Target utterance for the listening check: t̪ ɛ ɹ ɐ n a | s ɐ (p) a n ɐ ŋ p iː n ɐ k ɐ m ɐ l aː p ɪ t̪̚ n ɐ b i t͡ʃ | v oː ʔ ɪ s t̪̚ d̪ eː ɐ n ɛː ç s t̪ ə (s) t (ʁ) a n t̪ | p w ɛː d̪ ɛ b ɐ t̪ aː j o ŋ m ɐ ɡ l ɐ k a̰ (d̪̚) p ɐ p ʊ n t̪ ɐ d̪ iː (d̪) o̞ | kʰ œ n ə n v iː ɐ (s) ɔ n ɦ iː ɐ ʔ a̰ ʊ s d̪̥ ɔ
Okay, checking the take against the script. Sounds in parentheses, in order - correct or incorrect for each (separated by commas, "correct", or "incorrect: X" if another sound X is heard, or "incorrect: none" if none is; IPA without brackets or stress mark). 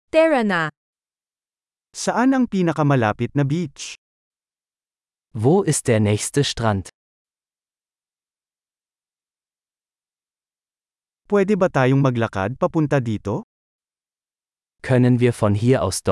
incorrect: ʔ, incorrect: ʃ, correct, correct, incorrect: t̪, incorrect: f